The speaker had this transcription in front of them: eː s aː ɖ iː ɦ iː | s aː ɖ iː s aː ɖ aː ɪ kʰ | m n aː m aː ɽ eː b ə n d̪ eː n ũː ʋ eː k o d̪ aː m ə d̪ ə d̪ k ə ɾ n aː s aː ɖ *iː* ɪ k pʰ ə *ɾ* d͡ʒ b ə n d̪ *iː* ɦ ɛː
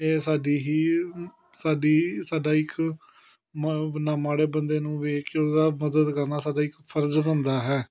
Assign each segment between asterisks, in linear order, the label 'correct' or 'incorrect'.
incorrect, correct, incorrect

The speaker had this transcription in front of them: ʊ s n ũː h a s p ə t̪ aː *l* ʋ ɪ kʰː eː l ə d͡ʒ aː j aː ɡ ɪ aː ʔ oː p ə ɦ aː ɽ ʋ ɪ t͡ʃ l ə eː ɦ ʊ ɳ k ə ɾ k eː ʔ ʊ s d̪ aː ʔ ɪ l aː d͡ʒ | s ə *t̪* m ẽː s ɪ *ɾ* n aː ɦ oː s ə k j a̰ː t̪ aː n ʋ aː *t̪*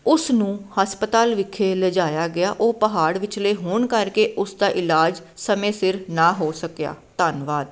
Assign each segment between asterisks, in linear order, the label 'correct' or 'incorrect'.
correct, incorrect, correct, incorrect

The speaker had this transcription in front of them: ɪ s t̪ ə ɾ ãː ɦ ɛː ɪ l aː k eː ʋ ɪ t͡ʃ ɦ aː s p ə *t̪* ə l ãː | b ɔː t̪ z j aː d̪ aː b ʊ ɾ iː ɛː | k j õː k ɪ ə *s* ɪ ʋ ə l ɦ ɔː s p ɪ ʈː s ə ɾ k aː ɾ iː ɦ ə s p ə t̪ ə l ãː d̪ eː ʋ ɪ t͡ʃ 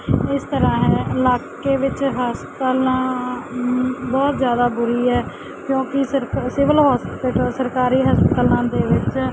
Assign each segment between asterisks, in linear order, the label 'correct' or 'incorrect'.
correct, correct

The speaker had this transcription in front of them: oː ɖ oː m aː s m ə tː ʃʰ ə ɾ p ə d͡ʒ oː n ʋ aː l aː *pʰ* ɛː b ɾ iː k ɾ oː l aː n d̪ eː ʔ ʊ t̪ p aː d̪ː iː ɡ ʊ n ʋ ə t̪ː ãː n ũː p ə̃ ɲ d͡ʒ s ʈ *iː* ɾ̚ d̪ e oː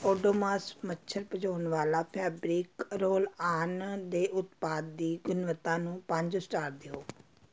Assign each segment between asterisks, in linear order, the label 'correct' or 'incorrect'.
correct, incorrect

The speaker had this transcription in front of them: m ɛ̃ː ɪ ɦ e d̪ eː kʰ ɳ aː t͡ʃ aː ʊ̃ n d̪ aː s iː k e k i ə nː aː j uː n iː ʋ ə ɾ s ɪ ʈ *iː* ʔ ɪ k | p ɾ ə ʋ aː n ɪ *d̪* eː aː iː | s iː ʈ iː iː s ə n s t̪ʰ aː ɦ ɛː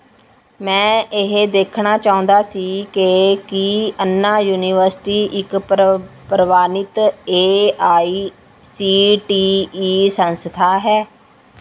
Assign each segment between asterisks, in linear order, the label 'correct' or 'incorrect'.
correct, incorrect

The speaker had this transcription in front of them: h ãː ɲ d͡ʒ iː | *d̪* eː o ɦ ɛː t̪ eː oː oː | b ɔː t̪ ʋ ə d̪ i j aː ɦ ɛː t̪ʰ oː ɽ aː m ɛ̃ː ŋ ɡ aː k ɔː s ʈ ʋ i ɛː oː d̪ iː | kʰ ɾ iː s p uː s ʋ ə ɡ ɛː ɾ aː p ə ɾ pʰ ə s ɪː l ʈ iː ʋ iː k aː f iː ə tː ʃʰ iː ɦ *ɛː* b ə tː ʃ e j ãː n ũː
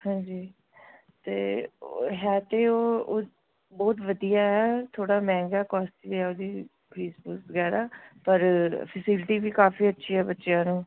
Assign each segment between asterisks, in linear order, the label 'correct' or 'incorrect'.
incorrect, correct

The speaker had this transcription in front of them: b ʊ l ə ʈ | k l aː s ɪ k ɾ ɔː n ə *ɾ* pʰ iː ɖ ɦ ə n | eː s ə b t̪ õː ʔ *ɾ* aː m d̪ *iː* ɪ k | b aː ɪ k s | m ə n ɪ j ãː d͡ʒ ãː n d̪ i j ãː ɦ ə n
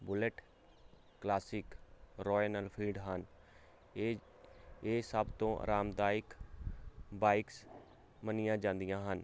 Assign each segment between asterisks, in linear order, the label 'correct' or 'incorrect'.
incorrect, correct, incorrect

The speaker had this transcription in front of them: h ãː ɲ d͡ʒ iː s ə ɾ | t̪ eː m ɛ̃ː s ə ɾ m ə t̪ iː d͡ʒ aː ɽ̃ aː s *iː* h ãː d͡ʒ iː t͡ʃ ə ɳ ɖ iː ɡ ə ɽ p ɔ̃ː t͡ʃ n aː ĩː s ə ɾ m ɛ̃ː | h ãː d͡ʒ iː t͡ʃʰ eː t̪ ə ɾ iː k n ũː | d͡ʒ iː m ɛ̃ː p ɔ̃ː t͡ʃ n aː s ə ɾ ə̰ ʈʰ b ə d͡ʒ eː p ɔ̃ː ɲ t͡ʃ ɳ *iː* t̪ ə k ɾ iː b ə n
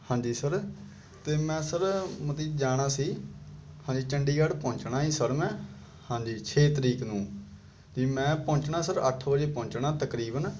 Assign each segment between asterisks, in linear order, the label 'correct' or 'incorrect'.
correct, incorrect

